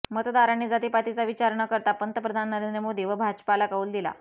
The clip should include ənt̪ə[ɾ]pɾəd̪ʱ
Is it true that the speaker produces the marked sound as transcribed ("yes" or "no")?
no